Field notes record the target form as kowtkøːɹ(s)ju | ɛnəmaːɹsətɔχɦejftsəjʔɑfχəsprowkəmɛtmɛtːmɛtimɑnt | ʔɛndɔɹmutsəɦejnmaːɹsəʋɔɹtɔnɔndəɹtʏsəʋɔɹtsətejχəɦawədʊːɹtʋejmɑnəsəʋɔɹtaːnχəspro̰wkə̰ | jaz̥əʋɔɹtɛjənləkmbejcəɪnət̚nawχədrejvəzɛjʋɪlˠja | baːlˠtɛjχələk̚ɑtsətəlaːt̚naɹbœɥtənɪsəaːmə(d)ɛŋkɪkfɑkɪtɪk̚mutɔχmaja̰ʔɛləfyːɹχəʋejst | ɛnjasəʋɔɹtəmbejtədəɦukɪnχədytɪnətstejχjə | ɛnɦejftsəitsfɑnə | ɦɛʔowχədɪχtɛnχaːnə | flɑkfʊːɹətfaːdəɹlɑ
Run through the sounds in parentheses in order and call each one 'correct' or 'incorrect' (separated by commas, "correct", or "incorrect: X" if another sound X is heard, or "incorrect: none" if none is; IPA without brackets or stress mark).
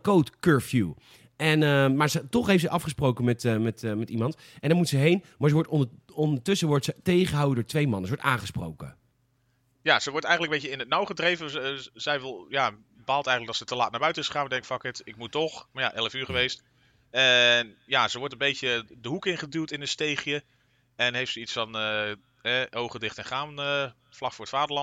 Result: incorrect: f, correct